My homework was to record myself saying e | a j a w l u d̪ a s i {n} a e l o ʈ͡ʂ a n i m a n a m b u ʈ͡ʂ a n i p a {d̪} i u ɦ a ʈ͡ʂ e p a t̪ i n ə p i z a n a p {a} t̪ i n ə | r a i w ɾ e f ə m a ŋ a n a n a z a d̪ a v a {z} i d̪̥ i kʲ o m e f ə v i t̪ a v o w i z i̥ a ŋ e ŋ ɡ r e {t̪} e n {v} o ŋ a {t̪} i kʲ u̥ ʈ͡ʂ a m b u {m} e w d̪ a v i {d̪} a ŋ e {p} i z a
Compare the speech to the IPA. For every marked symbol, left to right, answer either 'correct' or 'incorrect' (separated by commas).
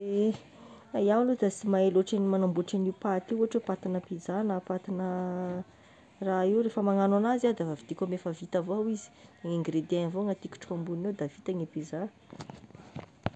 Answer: incorrect, incorrect, correct, incorrect, incorrect, correct, correct, incorrect, incorrect, correct